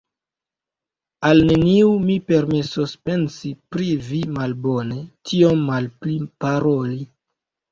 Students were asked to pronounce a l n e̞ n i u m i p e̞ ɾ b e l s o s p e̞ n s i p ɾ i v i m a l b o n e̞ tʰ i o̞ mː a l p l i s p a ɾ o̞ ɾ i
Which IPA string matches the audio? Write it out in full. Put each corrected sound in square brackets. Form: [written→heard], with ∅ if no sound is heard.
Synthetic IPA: a l n e̞ n i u m i p e̞ ɾ [b→m] e [l→∅] s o s p e̞ n s i p ɾ i v i m a l b o n e̞ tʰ i o̞ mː a l p l i [s→∅] p a ɾ o̞ [ɾ→l] i